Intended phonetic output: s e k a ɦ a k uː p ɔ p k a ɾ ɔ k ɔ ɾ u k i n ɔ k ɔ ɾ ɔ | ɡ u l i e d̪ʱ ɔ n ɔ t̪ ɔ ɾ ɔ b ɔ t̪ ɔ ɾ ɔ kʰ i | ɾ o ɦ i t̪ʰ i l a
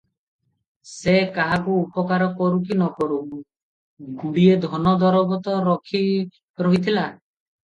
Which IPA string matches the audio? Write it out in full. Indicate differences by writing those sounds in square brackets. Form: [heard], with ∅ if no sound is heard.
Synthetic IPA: s e k a ɦ a k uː p ɔ [∅] k a ɾ ɔ k ɔ ɾ u k i n ɔ k ɔ ɾ [u] | ɡ u [ɽ] i e d̪ʱ ɔ n ɔ [d̪] ɔ ɾ ɔ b ɔ t̪ ɔ ɾ ɔ kʰ i | ɾ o ɦ i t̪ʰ i l a